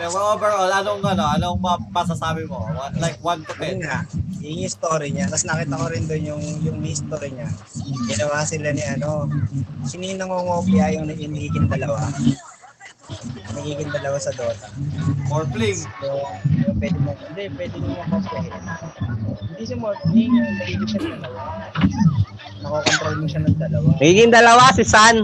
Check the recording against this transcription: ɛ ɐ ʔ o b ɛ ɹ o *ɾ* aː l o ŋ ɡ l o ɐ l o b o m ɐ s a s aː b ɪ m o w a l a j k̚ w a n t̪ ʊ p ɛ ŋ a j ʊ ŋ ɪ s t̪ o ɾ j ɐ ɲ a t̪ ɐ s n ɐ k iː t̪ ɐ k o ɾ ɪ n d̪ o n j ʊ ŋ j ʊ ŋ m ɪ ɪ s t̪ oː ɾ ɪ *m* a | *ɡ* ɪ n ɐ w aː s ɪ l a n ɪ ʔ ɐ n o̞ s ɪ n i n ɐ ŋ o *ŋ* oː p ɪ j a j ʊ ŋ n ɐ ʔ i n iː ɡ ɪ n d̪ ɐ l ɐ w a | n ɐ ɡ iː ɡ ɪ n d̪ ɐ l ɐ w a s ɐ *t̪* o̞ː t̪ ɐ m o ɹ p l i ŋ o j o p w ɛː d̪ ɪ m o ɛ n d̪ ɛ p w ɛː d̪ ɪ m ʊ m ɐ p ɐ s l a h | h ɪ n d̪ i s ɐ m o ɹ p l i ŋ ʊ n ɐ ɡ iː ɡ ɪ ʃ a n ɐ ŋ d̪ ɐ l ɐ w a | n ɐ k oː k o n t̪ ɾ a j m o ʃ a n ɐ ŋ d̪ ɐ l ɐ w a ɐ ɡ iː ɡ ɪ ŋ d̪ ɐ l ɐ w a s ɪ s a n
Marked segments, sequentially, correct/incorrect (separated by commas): incorrect, incorrect, correct, correct, incorrect